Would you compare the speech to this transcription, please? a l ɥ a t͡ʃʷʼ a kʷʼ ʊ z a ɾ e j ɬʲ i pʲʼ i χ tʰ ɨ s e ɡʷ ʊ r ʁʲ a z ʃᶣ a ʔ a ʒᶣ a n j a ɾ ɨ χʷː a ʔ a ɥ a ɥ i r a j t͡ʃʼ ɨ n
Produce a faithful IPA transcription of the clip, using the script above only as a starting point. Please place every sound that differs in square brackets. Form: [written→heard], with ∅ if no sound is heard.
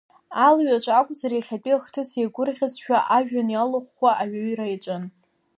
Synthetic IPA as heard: a l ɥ a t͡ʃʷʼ a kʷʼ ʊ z a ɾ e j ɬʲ [i→a] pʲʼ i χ tʰ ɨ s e ɡʷ ʊ r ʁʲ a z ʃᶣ a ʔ a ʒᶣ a n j a [ɾ→l] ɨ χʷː a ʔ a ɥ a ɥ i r a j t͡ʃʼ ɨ n